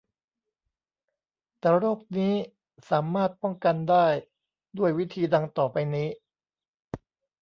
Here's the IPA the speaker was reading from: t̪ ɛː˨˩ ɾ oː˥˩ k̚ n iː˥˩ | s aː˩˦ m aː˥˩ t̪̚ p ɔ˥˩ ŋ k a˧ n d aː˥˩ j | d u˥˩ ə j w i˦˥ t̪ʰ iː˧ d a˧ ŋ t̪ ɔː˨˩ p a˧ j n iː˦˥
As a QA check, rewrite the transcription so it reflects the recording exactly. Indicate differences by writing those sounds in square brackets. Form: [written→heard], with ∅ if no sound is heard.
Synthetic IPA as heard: t̪ ɛː˨˩ ɾ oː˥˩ k̚ n [iː˥˩→iː˦˥] | s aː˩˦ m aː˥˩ t̪̚ p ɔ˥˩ ŋ k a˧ n d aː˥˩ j | d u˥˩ ə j w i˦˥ t̪ʰ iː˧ d a˧ ŋ t̪ ɔː˨˩ p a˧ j n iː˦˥